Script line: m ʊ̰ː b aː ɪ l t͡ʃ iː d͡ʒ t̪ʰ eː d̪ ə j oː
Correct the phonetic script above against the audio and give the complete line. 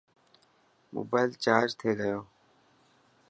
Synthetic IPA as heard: m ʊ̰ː b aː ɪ l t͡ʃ aː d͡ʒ t̪ʰ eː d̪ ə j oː